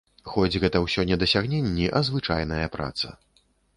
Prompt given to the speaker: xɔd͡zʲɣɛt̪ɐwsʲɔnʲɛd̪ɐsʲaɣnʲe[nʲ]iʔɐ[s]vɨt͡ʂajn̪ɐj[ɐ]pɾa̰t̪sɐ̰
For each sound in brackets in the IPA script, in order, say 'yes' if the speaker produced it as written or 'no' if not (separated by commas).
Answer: no, no, yes